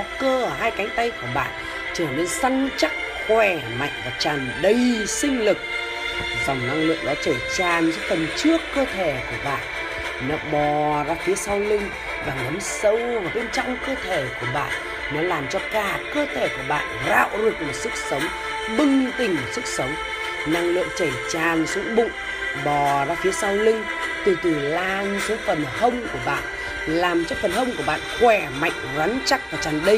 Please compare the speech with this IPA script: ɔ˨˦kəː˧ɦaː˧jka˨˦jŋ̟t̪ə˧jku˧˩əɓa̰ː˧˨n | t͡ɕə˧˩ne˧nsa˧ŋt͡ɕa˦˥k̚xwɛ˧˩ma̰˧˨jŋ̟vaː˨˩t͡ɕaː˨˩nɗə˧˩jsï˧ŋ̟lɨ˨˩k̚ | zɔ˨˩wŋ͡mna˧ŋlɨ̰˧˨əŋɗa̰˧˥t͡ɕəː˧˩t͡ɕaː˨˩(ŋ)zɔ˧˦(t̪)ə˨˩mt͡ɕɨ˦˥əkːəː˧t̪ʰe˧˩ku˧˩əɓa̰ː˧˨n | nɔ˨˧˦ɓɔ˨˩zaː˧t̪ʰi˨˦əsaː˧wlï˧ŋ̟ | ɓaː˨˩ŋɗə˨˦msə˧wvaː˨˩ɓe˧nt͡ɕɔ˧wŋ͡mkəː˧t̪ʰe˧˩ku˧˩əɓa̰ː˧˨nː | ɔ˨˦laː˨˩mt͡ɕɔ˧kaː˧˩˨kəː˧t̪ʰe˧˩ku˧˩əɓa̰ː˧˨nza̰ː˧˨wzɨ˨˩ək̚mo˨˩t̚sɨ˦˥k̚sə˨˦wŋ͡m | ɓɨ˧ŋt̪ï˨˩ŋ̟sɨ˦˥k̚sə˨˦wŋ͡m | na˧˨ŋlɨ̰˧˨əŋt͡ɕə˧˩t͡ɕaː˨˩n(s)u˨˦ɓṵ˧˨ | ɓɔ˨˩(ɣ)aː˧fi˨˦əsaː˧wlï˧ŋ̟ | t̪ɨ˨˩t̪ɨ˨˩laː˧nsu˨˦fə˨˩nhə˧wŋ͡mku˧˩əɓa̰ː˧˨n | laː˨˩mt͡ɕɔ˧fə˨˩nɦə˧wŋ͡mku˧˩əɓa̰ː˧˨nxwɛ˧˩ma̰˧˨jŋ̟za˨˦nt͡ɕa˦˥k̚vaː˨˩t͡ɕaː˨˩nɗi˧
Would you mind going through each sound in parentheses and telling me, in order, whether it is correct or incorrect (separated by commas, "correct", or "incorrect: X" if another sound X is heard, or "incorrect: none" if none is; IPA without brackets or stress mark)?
incorrect: n, correct, correct, incorrect: z